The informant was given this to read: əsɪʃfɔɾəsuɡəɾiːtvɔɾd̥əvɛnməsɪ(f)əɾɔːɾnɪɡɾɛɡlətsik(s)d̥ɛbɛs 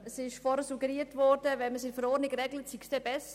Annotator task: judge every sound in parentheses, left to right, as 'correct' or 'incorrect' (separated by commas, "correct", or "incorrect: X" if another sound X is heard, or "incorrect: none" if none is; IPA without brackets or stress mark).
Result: correct, correct